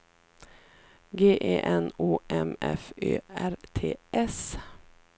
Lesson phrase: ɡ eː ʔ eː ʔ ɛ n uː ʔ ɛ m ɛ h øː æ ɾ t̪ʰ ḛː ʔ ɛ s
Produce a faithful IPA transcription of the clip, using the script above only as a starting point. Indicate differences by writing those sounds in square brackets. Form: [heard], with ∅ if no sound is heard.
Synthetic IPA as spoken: ɡ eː ʔ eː ʔ ɛ n uː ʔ ɛ m ɛ [f] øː æ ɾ t̪ʰ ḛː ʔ ɛ s